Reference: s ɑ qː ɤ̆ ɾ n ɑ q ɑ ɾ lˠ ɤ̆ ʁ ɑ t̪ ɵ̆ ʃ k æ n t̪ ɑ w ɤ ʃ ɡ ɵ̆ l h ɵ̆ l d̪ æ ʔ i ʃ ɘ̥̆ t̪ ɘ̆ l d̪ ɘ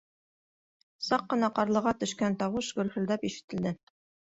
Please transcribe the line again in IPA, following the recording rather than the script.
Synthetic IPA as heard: s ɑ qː ɤ̆ n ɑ q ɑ ɾ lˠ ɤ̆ ʁ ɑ t̪ ɵ̆ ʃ k æ n t̪ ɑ w ɤ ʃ ɡ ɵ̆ l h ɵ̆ l d̪ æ p i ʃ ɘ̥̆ t̪ ɘ̆ l d̪ ɘ